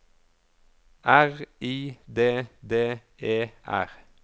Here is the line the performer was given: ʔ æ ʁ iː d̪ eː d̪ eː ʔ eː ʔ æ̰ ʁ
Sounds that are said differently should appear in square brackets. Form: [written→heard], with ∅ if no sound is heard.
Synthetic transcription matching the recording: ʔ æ ʁ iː d̪ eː d̪ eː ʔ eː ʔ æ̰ ʁ